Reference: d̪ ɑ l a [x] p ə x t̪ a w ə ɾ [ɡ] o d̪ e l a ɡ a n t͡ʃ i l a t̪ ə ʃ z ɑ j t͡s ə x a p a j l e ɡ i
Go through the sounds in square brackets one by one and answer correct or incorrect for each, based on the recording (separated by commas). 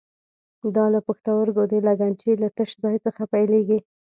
incorrect, correct